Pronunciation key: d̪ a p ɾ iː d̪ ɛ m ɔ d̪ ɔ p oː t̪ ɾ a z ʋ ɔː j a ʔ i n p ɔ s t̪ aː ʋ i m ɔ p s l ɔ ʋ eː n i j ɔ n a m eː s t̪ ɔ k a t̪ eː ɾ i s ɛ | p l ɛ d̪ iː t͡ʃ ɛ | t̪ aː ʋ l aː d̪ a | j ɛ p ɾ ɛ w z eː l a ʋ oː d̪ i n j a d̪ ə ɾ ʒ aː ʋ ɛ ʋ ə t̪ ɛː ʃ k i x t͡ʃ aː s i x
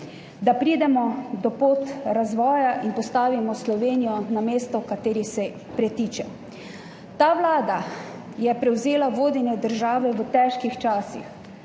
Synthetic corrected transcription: d̪ a p ɾ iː d̪ ɛ m ɔ d̪ ɔ p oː t̪ ɾ a z ʋ ɔː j a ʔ i n p ɔ s t̪ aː ʋ i m ɔ s l ɔ ʋ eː n i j ɔ n a m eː s t̪ ɔ k a t̪ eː ɾ i s ɛ | p ɾ ɛ t̪ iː t͡ʃ ɛ | t̪ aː ʋ l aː d̪ a | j ɛ p ɾ ɛ w z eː l a ʋ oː d̪ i n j ɛ d̪ ə ɾ ʒ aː ʋ ɛ ʋ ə t̪ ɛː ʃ k i x t͡ʃ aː s i x

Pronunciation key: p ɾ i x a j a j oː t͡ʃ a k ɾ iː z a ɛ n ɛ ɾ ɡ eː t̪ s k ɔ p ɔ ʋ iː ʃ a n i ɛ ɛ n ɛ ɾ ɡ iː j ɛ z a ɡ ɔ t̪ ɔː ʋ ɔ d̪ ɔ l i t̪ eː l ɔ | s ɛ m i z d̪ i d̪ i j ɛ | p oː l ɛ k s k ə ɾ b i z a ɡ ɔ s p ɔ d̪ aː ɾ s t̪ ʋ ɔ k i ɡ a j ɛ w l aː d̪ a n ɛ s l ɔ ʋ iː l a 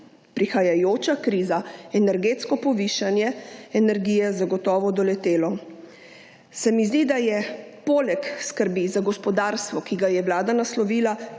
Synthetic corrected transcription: p ɾ i x a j a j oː t͡ʃ a k ɾ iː z a ɛ n ɛ ɾ ɡ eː t̪ s k ɔ p ɔ ʋ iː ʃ a n j ɛ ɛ n ɛ ɾ ɡ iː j ɛ z a ɡ ɔ t̪ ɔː ʋ ɔ d̪ ɔ l ɛ t̪ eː l ɔ | s ɛ m i z d̪ i d̪ a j ɛ | p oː l ɛ k s k ə ɾ b i z a ɡ ɔ s p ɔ d̪ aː ɾ s t̪ ʋ ɔ k i ɡ a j ɛ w l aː d̪ a n a s l ɔ ʋ iː l a

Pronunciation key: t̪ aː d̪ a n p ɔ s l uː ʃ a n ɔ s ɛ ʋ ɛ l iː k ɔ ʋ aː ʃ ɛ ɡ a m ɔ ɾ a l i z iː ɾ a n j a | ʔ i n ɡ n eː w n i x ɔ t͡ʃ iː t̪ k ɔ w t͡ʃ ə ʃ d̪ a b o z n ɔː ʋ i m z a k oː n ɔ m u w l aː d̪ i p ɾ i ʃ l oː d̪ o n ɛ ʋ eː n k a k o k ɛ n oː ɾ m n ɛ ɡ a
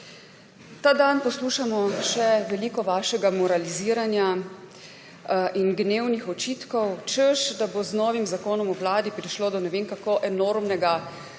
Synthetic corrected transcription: t̪ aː d̪ a n p ɔ s l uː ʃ a m ɔ ʃ ɛ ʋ ɛ l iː k ɔ ʋ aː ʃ ɛ ɡ a m ɔ ɾ a l i z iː ɾ a n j a | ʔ i n ɡ n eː w n i x ɔ t͡ʃ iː t̪ k ɔ w t͡ʃ ə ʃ d̪ a b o z n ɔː ʋ i m z a k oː n ɔ m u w l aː d̪ i p ɾ i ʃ l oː d̪ ɔ n ɛ ʋ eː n k a k o ʔ ɛ n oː ɾ m n ɛ ɡ a

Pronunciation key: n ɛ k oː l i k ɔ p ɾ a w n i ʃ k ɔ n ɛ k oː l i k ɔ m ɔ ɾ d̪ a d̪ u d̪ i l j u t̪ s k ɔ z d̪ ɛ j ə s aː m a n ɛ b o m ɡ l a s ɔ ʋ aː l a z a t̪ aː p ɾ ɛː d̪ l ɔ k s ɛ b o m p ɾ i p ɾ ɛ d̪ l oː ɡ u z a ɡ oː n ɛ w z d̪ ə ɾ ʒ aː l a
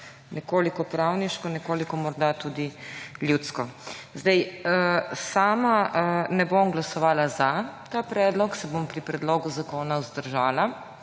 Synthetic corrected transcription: n ɛ k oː l i k ɔ p ɾ a w n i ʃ k ɔ n ɛ k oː l i k ɔ m ɔ ɾ d̪ a t̪ u d̪ i l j u t̪ s k ɔ z d̪ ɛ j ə s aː m a n ɛ b o m ɡ l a s ɔ ʋ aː l a z a t̪ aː p ɾ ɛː d̪ l ɔ k s ɛ b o m p ɾ i p ɾ ɛ d̪ l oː ɡ u z a k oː n a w z d̪ ə ɾ ʒ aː l a

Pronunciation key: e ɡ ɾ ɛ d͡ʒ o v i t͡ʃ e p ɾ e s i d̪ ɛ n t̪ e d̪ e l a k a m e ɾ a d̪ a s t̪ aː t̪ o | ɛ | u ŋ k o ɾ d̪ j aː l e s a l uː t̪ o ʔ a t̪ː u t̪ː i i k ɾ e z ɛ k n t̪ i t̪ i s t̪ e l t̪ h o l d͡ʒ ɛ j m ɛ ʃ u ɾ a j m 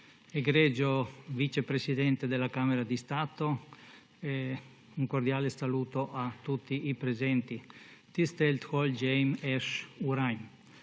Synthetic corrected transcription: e ɡ ɾ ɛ d͡ʒ o v i t͡ʃ e p ɾ e s i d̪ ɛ n t̪ e d̪ e l a k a m e ɾ a d̪ i s t̪ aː t̪ o | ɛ | u ŋ k o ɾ d̪ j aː l e s a l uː t̪ o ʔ a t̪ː u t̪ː i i p ɾ e z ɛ n t̪ i t̪ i s t̪ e l t̪ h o l d͡ʒ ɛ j m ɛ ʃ u ɾ a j m

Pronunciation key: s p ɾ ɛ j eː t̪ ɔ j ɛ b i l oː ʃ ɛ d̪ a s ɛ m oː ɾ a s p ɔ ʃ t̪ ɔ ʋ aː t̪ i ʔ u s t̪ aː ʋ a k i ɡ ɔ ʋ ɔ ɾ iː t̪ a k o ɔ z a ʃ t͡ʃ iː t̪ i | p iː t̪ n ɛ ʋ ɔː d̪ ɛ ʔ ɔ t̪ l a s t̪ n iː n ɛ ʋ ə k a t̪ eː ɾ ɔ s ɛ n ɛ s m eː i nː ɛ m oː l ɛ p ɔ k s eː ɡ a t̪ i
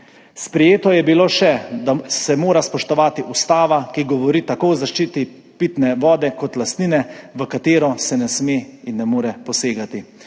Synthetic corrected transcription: s p ɾ ɛ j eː t̪ ɔ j ɛ b i l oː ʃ ɛ d̪ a s ɛ m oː ɾ a s p ɔ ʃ t̪ ɔ ʋ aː t̪ i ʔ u s t̪ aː ʋ a k i ɡ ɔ ʋ ɔ ɾ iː t̪ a k o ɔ z a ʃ t͡ʃ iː t̪ i | p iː t̪ n ɛ ʋ ɔː d̪ ɛ k ɔ t̪ l a s t̪ n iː n ɛ ʋ ə k a t̪ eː ɾ ɔ s ɛ n ɛ s m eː i nː ɛ m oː ɾ ɛ p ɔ s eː ɡ a t̪ i

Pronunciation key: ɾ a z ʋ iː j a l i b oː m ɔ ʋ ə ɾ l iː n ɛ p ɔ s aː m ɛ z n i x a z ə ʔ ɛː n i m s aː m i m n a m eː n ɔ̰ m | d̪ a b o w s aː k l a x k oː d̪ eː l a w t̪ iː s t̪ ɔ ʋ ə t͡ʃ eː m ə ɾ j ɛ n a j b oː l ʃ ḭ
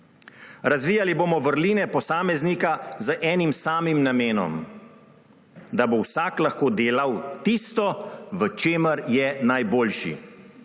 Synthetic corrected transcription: ɾ a z ʋ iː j a l i b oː m ɔ ʋ ə ɾ l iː n ɛ p ɔ s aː m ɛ z n i k a z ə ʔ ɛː n i m s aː m i m n a m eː n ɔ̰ m | d̪ a b o w s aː k l a x k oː d̪ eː l a w t̪ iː s t̪ ɔ ʋ ə t͡ʃ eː m ə ɾ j ɛ n a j b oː l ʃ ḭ

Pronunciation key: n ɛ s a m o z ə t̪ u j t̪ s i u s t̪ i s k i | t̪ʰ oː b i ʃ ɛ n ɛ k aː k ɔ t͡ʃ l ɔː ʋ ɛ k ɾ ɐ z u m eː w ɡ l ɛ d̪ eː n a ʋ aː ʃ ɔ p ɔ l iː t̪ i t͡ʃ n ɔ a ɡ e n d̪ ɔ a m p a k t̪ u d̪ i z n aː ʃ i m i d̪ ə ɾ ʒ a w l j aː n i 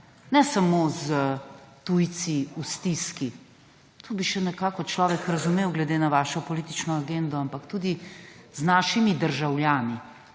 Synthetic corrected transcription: n ɛ s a m o z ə t̪ u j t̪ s i u s t̪ i s k i | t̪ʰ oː b i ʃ ɛ n ɛ k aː k ɔ t͡ʃ l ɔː ʋ ɛ k ɾ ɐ z u m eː w ɡ l ɛ d̪ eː n a ʋ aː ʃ ɔ p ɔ l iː t̪ i t͡ʃ n ɔ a ɡ e n d̪ ɔ a m p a k t̪ u d̪ i z n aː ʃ i m i d̪ ə ɾ ʒ a w l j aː n i

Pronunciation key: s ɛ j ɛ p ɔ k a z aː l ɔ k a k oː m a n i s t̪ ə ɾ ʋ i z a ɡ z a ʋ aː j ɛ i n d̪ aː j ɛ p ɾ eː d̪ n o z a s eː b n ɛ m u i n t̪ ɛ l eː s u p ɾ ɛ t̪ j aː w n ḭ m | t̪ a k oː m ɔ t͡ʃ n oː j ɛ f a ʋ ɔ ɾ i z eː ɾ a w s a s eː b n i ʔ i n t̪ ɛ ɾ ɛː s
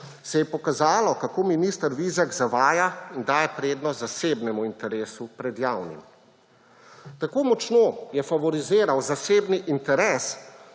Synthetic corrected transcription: s ɛ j ɛ p ɔ k a z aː l ɔ k a k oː m i n i s t̪ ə ɾ ʋ i z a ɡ z a ʋ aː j a i n d̪ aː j ɛ p ɾ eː d̪ n ɔ z a s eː b n ɛ m u i n t̪ ɛ ɾ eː s u p ɾ ɛ d̪ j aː w n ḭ m | t̪ a k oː m ɔ t͡ʃ n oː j ɛ f a ʋ ɔ ɾ i z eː ɾ a w z a s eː b n i ʔ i n t̪ ɛ ɾ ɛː s

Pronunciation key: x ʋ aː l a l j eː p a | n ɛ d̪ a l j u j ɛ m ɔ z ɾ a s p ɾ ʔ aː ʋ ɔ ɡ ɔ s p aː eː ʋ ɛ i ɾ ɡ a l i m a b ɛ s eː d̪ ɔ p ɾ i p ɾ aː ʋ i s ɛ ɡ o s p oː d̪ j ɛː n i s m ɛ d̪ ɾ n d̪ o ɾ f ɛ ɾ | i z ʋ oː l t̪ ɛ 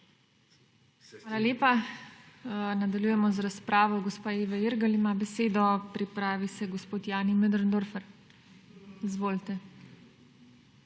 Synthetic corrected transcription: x ʋ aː l a l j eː p a | n a d̪ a l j u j ɛ m ɔ z ɾ a s p ɾ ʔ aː ʋ ɔ ɡ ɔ s p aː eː ʋ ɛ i ɾ ɡ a l i m a b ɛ s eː d̪ ɔ p ɾ i p ɾ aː ʋ i s ɛ ɡ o s p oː t̪ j aː n i m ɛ d̪ ɾ n d̪ o ɾ f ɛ ɾ | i z ʋ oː l t̪ ɛ

